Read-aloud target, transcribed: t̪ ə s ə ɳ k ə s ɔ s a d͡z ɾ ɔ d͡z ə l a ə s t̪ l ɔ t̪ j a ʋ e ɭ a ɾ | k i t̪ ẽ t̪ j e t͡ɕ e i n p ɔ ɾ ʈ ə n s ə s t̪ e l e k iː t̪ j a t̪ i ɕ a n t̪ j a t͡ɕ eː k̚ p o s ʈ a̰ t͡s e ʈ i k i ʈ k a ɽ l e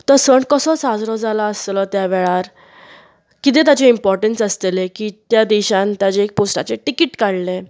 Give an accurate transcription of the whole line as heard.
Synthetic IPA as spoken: t̪ ə s ə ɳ k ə s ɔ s a d͡z ɾ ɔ d͡z a l a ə s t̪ l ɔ t̪ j a ʋ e ɭ a ɾ | k i t̪ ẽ t̪ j a t͡ɕ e i m p ɔ ɾ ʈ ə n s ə s t̪ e l e k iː t̪ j a d̪ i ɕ a n t̪ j a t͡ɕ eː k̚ p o s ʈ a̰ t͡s e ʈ i k i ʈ k a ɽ l e